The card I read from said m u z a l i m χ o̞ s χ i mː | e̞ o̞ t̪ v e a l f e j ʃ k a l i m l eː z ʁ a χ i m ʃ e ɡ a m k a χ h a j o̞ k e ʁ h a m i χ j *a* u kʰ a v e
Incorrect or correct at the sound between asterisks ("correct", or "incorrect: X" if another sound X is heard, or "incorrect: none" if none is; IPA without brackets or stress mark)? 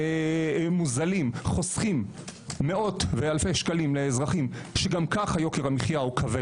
correct